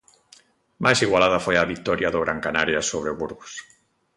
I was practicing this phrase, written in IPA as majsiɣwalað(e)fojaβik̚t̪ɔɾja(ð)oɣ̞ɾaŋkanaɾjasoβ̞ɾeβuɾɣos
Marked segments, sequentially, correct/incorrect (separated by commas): incorrect, correct